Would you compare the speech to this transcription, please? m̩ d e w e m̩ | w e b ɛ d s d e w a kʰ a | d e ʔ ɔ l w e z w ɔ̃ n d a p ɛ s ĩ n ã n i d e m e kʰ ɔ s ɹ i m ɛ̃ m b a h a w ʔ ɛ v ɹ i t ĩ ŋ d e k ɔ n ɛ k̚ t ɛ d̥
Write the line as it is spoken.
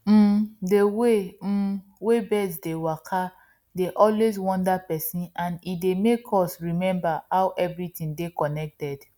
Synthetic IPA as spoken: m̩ d e w e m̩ | w e b ɛ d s d e w a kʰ a | d e ʔ ɔ l w e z w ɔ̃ n d a p ɛ s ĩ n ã n i d e m e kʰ ɔ s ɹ i m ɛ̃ m b a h a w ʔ ɛ v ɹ i t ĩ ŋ d e k ɔ n ɛ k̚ t ɛ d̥